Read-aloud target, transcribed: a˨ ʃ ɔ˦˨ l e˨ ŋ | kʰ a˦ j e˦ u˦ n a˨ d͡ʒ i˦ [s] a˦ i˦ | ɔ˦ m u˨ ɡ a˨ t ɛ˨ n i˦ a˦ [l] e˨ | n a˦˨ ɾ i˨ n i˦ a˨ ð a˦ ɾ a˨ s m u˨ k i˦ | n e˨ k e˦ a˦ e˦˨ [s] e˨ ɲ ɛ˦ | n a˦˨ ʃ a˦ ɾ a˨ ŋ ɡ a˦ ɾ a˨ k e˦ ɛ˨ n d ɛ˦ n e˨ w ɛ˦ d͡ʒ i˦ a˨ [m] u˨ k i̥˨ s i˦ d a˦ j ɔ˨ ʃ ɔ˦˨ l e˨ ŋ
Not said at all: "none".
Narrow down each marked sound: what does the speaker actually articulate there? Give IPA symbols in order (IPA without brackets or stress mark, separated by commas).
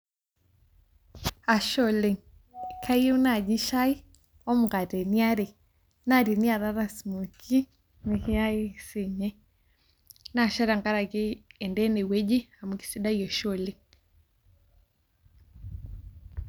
ʃ, ɾ, s, m